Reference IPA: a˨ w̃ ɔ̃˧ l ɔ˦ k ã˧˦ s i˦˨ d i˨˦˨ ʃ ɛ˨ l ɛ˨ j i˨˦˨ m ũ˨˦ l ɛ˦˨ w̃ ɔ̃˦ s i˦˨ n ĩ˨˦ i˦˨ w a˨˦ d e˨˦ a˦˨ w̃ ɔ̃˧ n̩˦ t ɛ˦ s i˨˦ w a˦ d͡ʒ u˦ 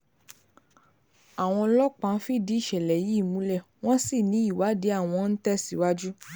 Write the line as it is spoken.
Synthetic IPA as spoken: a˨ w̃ ɔ̃˧ l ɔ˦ k͡p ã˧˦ f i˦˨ d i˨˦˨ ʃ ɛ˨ l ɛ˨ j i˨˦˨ m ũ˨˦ l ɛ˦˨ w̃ ɔ̃˦ s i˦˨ n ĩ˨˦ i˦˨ w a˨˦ d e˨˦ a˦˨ w̃ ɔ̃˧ n̩˦ t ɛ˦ s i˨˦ w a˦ d͡ʒ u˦